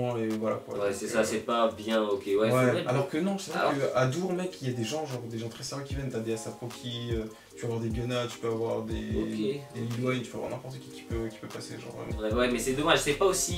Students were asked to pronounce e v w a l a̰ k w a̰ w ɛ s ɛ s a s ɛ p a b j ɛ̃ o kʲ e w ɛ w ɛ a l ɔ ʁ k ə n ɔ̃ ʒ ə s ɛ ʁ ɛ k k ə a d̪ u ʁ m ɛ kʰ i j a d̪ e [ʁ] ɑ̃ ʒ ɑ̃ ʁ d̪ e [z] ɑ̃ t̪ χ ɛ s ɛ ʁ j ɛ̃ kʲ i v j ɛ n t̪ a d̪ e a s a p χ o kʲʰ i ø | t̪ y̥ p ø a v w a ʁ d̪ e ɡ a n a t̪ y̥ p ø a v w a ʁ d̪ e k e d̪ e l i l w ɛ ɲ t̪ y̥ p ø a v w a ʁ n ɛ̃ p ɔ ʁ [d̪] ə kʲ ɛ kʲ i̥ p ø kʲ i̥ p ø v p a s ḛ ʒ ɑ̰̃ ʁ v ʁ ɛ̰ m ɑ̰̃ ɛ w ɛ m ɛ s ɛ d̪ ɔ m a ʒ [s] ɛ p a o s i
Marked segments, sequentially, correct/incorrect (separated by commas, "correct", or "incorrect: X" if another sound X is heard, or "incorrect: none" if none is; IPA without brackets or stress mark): incorrect: ʒ, incorrect: ʒ, incorrect: t̪, correct